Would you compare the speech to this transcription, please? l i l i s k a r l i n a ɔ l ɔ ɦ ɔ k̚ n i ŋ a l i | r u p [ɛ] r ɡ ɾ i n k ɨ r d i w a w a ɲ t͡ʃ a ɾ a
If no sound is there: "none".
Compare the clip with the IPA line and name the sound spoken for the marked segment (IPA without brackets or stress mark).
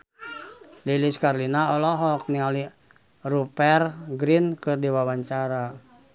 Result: ɛ